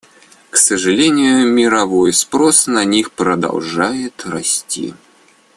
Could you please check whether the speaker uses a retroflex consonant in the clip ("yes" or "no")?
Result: yes